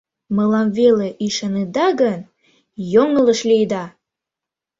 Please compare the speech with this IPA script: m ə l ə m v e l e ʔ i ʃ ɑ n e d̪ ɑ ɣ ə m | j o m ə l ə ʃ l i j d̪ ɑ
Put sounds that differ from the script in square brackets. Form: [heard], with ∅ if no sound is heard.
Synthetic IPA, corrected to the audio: m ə l [ɑ] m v e l e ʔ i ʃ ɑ n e d̪ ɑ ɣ ə [n] | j o [ŋ] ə l ə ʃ l i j d̪ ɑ